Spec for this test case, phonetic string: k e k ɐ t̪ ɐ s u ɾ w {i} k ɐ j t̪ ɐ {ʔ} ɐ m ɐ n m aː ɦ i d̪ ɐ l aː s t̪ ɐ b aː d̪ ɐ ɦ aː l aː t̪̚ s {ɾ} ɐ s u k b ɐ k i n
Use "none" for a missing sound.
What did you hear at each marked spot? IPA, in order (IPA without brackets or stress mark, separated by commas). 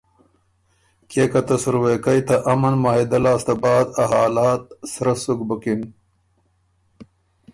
e, ʔ, ɾ